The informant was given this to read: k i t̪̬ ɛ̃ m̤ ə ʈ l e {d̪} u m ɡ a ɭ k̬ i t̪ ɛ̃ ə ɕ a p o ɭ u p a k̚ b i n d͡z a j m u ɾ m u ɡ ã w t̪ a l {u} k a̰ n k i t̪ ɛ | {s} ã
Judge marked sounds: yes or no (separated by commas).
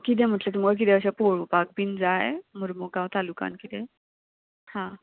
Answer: no, yes, no